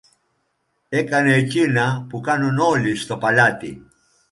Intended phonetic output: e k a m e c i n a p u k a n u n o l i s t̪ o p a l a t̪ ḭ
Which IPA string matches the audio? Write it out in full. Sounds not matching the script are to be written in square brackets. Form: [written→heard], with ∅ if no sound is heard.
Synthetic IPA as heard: e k a [m→n] e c i n a p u k a n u n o l i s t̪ o p a l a t̪ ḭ